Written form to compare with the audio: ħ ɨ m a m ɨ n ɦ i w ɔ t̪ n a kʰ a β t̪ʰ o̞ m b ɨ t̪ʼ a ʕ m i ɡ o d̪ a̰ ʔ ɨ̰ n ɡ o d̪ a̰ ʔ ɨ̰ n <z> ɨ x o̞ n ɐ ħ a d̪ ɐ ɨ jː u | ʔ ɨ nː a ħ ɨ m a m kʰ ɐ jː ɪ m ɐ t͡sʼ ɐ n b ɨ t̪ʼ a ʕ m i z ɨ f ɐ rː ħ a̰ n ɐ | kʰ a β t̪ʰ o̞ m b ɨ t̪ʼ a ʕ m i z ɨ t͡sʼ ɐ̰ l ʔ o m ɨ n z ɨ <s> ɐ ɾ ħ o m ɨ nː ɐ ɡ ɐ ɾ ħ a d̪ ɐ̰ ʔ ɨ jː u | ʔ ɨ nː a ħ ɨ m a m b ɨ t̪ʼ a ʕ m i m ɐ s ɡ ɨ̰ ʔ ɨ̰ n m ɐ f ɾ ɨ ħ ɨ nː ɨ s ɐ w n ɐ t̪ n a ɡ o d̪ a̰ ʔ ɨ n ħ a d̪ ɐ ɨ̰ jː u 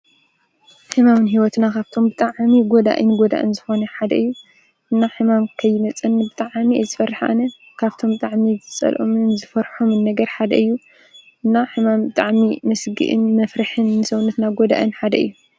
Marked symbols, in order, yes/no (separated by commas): yes, no